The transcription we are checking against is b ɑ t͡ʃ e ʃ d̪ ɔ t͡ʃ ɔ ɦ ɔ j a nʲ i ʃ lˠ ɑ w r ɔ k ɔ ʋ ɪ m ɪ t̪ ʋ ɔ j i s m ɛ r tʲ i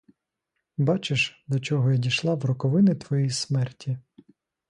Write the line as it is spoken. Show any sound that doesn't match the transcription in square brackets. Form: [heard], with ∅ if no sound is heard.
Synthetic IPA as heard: b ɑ t͡ʃ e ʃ d̪ ɔ t͡ʃ ɔ ɦ ɔ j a [dʲ] i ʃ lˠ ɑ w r ɔ k ɔ ʋ ɪ [n] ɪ t̪ ʋ ɔ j i s m ɛ r tʲ i